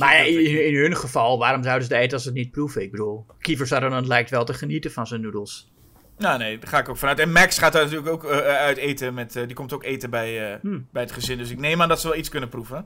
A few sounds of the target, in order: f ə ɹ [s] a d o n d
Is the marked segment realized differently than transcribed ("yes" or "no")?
no